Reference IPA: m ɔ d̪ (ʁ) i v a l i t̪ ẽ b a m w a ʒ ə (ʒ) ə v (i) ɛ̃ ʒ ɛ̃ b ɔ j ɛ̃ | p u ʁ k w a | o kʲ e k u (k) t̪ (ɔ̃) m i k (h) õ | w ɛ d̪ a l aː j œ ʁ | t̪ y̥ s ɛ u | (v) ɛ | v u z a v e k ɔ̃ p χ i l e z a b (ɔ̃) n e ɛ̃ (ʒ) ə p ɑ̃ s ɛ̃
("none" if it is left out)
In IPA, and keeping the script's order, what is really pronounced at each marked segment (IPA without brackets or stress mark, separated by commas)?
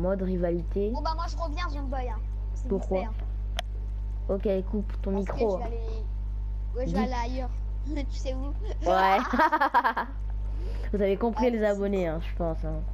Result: ʁ, ʁ, j, p, ɔ̃, χ, w, ɔ, ʒ